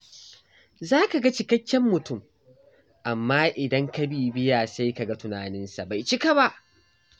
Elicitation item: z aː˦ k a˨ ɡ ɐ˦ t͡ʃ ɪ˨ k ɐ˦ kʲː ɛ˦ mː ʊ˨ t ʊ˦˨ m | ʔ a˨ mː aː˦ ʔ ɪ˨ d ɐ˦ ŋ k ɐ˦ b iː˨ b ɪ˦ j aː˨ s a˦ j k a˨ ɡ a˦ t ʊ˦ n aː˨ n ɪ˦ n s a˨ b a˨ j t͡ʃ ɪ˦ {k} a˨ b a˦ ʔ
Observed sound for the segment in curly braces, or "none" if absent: k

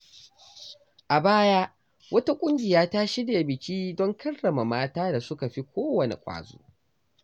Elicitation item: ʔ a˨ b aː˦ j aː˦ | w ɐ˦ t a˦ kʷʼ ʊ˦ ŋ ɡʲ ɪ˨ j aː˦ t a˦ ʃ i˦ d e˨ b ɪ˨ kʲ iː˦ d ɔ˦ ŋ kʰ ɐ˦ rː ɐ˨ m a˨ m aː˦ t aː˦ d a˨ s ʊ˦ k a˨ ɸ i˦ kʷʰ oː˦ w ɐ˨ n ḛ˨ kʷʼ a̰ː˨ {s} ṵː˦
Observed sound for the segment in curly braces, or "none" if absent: z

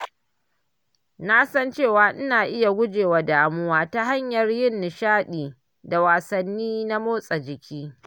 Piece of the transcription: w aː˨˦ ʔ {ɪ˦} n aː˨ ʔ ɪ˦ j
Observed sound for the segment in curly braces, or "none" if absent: ɪ˦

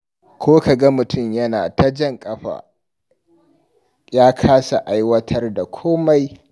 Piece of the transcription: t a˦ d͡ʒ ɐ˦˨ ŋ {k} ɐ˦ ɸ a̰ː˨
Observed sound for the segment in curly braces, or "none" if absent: kʼ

